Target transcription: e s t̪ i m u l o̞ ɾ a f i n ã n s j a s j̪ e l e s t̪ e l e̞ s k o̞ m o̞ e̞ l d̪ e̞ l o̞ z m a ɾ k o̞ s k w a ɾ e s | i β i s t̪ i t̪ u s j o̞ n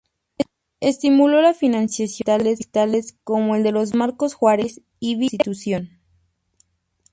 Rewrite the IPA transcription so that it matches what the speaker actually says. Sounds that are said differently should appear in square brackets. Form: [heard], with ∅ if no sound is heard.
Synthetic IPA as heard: e s t̪ i m u l o̞ [l] a f i n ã n s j a s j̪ [a] l e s t̪ [a] l e̞ s k o̞ m o̞ e̞ l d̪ e̞ l o̞ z m a ɾ k o̞ s [x] w a ɾ e s | i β i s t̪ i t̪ u s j o̞ n